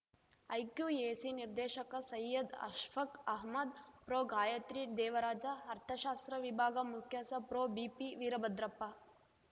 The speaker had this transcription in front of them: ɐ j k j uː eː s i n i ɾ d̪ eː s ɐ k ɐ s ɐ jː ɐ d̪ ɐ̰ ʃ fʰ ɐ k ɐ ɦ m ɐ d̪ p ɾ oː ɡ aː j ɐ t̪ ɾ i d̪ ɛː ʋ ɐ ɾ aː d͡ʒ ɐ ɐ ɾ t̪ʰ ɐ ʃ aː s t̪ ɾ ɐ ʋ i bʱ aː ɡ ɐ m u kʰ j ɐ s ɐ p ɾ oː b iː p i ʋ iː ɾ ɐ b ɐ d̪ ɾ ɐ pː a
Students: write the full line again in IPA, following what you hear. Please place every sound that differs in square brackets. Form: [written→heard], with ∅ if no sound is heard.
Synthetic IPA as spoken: ɐ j k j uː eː s i n i ɾ d̪ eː [s→ʃ] ɐ k ɐ s ɐ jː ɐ d̪ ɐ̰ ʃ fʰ ɐ k ɐ ɦ m ɐ d̪ p ɾ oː ɡ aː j ɐ t̪ ɾ i d̪ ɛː ʋ ɐ ɾ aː d͡ʒ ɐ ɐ ɾ t̪ʰ ɐ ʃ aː s t̪ ɾ ɐ ʋ i bʱ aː ɡ ɐ m u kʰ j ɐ s ɐ p ɾ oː b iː p i ʋ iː ɾ ɐ b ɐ d̪ ɾ ɐ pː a